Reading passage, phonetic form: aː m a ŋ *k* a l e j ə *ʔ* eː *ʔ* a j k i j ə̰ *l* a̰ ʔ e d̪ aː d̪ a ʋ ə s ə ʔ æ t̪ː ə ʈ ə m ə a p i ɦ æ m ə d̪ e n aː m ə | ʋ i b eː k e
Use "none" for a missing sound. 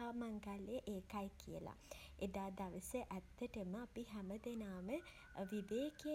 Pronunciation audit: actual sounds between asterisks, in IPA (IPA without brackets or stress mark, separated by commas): ɡ, ʔ, k, l